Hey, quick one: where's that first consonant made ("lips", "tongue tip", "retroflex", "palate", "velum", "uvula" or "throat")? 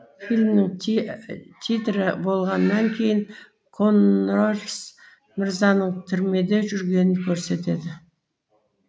lips